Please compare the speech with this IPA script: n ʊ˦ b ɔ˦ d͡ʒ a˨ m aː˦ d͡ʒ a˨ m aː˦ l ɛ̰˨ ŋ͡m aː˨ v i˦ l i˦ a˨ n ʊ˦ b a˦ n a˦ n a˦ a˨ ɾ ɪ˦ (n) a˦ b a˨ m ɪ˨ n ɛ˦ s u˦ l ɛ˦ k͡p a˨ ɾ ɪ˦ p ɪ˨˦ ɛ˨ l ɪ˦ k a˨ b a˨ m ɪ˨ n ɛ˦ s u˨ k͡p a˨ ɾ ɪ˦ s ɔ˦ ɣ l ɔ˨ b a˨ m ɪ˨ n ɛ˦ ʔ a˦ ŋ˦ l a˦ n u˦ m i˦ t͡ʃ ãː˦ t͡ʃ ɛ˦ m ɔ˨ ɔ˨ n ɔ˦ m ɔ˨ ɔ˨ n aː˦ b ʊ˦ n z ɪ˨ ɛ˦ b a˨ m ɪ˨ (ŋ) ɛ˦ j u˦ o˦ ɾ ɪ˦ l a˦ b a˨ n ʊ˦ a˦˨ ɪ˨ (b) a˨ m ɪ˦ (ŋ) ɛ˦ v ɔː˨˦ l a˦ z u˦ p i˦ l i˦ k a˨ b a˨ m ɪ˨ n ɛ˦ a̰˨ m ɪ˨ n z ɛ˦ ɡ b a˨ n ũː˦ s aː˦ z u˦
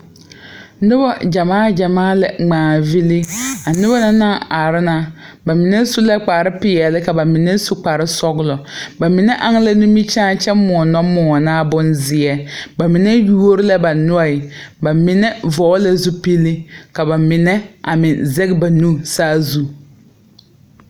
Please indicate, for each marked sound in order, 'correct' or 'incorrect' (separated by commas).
correct, incorrect, correct, incorrect